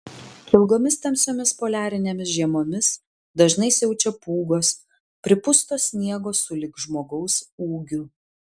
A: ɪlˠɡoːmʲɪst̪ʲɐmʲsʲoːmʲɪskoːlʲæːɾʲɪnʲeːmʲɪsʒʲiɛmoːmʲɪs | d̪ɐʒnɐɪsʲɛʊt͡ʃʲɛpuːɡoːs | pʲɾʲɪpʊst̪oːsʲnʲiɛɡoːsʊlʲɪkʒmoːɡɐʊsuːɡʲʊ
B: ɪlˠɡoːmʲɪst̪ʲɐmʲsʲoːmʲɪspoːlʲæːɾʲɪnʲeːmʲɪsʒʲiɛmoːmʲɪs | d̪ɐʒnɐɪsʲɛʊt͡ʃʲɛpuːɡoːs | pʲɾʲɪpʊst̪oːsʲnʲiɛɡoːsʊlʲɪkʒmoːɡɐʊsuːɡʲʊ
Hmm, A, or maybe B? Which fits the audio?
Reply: B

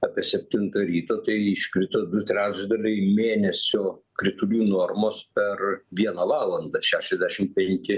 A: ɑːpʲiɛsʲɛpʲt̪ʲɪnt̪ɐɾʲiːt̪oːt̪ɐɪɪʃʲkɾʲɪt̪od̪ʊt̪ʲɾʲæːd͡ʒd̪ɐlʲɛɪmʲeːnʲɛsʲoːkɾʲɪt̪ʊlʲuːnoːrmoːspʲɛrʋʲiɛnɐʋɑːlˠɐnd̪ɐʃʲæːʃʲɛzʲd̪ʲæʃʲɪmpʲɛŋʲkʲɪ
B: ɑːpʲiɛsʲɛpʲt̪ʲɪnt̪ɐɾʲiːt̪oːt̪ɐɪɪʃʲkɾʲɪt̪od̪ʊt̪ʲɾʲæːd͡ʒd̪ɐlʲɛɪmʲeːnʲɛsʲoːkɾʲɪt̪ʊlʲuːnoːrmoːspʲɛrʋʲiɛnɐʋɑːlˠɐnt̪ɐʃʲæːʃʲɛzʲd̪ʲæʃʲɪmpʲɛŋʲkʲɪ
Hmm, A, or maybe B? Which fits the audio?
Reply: A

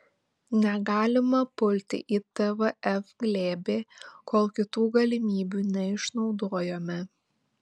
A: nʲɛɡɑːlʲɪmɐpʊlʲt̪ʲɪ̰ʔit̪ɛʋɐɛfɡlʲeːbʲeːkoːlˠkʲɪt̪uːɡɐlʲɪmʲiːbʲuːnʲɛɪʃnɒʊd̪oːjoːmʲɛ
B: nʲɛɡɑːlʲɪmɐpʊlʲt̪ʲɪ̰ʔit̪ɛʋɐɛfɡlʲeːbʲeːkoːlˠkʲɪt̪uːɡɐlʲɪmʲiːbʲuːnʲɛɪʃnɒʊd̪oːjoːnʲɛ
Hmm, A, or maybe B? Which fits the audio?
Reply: A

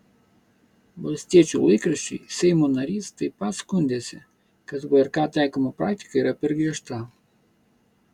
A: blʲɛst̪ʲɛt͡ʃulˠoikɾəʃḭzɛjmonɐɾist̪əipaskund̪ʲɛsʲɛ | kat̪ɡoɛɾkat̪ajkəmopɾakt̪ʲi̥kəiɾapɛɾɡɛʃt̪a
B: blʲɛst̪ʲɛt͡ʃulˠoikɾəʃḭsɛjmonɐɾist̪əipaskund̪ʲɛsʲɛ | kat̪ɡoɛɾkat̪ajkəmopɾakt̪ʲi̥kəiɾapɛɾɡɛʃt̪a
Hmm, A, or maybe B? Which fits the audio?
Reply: B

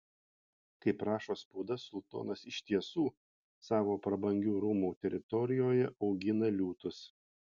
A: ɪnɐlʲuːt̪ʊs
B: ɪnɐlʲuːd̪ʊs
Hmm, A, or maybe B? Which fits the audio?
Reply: A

